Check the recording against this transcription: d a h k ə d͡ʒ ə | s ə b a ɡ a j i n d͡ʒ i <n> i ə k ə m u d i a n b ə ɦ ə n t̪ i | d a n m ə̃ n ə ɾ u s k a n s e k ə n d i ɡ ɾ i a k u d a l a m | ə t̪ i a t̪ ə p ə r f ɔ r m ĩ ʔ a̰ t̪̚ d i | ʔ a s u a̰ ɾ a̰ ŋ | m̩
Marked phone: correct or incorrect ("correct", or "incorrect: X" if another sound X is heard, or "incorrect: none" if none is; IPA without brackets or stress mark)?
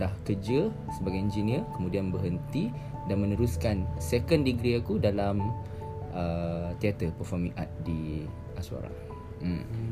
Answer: correct